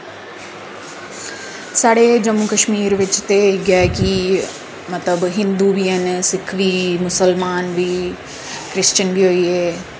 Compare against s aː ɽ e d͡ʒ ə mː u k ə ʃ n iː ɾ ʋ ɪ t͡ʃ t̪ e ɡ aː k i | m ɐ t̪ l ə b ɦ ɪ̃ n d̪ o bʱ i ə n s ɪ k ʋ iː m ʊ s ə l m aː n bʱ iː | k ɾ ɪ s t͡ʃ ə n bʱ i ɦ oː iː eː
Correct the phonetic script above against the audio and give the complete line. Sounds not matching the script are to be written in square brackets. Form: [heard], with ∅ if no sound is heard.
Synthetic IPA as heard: s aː ɽ e d͡ʒ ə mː u k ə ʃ [m] iː ɾ ʋ ɪ t͡ʃ t̪ e ɡ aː k i | m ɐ t̪ l ə b ɦ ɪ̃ n d̪ [u] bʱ i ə n s ɪ [kʰ] ʋ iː m ʊ s ə l m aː n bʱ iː | k ɾ ɪ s t͡ʃ ə n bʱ i ɦ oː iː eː

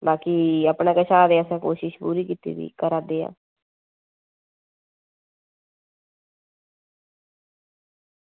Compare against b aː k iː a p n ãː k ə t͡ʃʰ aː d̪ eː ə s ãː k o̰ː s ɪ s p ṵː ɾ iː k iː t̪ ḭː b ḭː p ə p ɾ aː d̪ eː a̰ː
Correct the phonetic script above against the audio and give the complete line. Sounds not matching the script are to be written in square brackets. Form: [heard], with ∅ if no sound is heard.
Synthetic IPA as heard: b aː k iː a p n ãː k ə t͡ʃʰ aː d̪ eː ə s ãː k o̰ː [ʃ] ɪ [ʃ] p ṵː ɾ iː k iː t̪ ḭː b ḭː [k] ə [∅] ɾ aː d̪ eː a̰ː

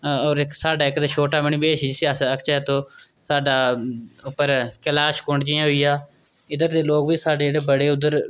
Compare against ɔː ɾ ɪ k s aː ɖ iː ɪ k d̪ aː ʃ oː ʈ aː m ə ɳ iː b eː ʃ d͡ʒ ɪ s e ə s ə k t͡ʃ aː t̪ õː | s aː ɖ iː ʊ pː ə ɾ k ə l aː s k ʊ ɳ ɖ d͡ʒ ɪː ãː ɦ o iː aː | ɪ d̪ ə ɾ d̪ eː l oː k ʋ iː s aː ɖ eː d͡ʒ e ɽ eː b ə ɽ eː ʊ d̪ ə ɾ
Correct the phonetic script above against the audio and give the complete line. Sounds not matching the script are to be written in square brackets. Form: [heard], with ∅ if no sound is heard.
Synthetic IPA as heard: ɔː ɾ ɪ k s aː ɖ [aː] ɪ k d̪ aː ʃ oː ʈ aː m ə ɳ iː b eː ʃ d͡ʒ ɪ s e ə s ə k t͡ʃ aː t̪ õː | s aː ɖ [aː] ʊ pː ə ɾ k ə l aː [ʃ] k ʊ ɳ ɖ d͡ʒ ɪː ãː ɦ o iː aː | ɪ d̪ ə ɾ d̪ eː l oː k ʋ iː s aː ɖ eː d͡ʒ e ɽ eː b ə ɽ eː ʊ d̪ ə ɾ

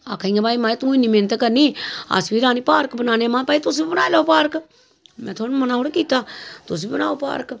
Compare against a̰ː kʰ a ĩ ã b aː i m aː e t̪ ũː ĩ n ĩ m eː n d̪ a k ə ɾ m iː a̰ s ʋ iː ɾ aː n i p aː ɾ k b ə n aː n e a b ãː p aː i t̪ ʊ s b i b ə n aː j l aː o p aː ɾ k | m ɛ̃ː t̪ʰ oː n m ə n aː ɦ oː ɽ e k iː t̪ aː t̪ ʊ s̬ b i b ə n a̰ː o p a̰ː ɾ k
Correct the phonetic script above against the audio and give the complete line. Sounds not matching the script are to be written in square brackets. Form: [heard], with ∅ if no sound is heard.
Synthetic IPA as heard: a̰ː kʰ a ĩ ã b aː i m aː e t̪ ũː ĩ n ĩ m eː n [t̪] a k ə ɾ [n] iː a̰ s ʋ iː ɾ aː n i p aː ɾ k b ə n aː n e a [m] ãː p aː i t̪ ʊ s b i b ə n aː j l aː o p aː ɾ k | m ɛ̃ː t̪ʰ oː n m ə n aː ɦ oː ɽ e k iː t̪ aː t̪ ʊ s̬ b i b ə n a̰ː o p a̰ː ɾ k

